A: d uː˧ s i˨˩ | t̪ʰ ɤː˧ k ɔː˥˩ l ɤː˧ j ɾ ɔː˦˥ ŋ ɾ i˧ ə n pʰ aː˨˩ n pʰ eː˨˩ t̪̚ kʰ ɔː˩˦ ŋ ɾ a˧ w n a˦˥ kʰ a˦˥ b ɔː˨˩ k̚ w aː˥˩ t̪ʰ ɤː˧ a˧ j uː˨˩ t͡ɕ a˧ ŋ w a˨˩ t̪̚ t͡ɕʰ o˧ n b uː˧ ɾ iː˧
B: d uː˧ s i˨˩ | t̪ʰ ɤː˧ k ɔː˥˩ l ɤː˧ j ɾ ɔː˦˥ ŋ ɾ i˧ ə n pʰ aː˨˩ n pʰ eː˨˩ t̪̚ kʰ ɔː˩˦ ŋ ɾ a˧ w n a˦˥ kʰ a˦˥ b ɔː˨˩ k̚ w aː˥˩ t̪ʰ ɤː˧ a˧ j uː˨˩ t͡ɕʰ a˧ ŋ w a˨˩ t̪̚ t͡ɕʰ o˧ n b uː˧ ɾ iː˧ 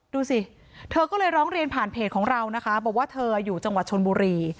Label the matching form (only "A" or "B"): A